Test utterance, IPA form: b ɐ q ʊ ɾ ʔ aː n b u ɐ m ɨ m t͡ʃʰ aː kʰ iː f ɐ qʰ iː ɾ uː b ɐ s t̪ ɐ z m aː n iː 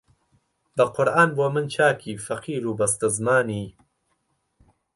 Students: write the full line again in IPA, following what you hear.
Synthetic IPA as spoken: b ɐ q ʊ ɾ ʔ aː n b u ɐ m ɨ n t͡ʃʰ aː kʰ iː f ɐ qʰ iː ɾ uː b ɐ s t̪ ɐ z m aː n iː